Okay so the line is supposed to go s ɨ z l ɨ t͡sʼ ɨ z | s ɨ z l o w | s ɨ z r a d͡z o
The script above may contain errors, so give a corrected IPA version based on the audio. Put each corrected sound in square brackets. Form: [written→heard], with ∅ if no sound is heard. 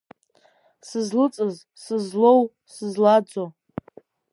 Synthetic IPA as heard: s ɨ z l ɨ t͡sʼ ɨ z | s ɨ z l o w | s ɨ z [r→l] a d͡z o